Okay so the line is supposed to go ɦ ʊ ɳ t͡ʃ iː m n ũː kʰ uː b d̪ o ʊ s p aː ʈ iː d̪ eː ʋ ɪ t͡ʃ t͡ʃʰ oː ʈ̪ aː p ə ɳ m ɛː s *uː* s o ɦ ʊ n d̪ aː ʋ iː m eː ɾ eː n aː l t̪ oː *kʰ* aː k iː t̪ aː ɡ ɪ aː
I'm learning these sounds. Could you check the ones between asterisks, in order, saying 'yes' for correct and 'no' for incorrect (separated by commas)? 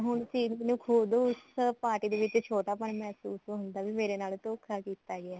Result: yes, yes